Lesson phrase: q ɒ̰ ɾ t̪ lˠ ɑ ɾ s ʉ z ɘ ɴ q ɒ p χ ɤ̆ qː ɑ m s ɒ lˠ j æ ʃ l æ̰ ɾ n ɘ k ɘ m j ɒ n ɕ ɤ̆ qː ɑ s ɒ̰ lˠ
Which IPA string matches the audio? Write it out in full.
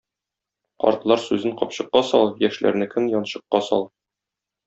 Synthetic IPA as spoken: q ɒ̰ ɾ t̪ lˠ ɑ ɾ s ʉ z ɘ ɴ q ɒ p ɕ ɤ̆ qː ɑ s ɒ lˠ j æ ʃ l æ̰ ɾ n ɘ k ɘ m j ɒ n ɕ ɤ̆ qː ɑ s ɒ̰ lˠ